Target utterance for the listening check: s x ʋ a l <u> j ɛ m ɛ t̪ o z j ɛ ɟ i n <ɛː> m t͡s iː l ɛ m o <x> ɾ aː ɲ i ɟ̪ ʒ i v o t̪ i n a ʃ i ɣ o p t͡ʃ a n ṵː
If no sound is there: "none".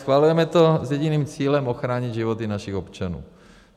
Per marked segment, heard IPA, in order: u, iː, x

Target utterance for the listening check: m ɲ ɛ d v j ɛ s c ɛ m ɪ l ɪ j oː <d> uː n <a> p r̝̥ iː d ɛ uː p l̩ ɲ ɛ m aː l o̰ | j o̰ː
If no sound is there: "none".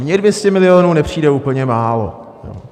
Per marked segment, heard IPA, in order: n, ɛ

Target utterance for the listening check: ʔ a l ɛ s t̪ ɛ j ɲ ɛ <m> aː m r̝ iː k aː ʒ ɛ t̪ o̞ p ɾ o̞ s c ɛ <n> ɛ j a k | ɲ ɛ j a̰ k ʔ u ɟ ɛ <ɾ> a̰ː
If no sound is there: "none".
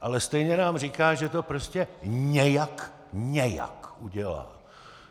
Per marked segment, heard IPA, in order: n, ɲ, l

